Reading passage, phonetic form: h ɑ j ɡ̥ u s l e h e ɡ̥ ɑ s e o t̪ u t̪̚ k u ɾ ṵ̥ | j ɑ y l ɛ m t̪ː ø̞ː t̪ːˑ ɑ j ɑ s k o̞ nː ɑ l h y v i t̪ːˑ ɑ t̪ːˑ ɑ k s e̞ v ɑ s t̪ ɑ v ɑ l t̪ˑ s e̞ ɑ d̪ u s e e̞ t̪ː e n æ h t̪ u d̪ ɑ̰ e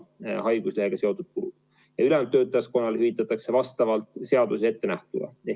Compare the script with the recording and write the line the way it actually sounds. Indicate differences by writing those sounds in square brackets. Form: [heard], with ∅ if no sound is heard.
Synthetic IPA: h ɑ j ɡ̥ u s l e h e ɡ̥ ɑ s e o t̪ u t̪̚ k u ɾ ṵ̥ | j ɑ y l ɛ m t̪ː ø̞ː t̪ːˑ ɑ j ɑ s k o̞ nː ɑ l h y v i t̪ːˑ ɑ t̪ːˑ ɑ k s e̞ v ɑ s t̪ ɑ v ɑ l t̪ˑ s e̞ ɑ d̪ u s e e̞ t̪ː e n æ h t̪ u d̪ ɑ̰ e